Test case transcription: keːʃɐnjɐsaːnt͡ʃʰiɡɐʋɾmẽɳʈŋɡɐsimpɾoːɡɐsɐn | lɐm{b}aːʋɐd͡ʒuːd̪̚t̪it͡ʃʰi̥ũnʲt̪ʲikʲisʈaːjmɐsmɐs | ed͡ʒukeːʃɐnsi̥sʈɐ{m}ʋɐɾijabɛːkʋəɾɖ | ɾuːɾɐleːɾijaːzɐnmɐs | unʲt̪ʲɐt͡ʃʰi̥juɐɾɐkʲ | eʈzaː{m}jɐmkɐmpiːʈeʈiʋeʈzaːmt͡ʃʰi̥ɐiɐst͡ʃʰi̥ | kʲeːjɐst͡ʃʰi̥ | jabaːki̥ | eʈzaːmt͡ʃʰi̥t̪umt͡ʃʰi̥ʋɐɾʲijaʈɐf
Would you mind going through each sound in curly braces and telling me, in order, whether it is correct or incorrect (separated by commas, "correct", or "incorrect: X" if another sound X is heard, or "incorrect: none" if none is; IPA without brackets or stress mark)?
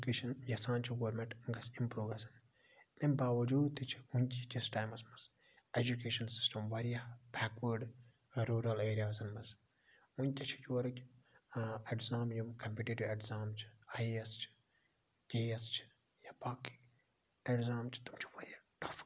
correct, correct, correct